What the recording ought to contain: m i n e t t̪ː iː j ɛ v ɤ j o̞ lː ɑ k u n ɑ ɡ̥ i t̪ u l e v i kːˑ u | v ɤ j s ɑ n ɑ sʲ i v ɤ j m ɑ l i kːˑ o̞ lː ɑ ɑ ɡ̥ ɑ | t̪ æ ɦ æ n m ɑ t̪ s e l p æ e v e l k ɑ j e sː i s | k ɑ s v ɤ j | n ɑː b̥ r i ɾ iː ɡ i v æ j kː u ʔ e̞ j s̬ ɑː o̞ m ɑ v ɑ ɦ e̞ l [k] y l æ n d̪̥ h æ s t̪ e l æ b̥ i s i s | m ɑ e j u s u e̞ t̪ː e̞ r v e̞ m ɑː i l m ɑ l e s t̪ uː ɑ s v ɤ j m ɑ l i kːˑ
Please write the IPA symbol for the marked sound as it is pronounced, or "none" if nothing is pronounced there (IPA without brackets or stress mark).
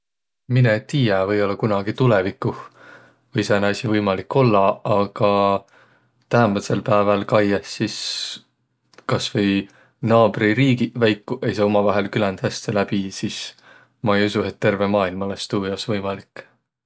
k